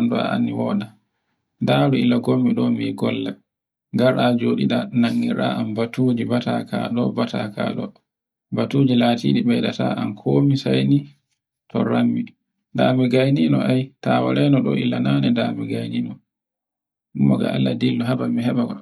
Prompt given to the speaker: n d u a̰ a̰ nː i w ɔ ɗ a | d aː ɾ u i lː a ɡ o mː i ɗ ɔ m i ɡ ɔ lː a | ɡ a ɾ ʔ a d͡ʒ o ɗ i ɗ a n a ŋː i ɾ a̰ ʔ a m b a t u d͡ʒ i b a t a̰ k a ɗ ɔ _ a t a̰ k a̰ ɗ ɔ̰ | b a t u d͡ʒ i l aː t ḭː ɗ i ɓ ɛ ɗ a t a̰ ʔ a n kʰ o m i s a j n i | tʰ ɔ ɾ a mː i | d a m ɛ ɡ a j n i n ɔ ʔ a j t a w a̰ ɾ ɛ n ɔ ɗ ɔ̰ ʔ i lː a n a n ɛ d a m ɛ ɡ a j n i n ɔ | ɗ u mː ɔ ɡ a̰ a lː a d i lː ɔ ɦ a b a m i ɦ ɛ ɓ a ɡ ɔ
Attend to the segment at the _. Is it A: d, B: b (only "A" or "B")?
B